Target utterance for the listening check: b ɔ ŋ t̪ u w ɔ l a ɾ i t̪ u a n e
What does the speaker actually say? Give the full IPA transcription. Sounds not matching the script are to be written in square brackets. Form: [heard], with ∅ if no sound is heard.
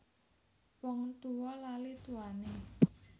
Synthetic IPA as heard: [w] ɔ ŋ t̪ u w ɔ l a [l] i t̪ u a n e